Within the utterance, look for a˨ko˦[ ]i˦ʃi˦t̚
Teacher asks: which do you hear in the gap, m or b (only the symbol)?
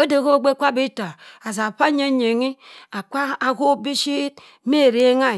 b